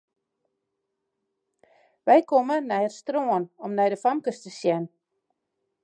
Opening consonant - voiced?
yes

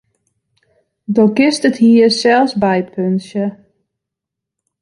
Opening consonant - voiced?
yes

